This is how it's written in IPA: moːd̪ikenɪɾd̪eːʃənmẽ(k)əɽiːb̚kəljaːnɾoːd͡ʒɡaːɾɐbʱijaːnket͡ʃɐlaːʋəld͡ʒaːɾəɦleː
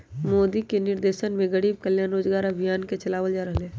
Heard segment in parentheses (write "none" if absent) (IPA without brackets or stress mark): ɡ